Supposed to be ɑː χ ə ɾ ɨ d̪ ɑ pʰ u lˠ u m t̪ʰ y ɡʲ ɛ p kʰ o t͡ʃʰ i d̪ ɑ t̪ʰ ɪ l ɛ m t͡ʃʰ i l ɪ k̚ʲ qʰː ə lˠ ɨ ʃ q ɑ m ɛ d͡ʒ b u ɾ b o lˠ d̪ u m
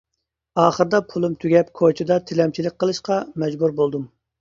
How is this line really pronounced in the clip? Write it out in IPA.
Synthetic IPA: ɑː χ ə ɾ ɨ d̪ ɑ pʰ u lˠ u m t̪ʰ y ɡʲ ɛ p kʰ o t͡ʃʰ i d̪ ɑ t̪ʰ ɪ l ɛ m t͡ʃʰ i l ɪ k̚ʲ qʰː ə lˠ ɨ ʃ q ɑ m ɛ d͡ʒ b u ɾ b o lˠ d̪ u m